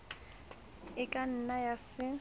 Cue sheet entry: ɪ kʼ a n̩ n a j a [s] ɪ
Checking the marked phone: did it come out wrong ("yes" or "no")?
no